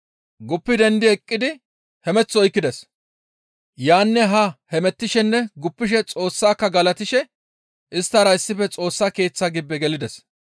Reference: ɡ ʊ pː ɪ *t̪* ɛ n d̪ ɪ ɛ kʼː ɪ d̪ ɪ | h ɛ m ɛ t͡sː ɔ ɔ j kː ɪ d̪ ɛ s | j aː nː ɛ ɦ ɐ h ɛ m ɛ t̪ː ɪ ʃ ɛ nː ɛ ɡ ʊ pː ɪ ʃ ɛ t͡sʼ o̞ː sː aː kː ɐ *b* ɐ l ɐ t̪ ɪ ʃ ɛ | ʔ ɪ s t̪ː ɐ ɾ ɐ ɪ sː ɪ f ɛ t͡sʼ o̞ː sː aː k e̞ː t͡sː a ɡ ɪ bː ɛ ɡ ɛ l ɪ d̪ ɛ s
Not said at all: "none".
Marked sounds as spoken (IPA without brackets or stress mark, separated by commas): d̪, ɡ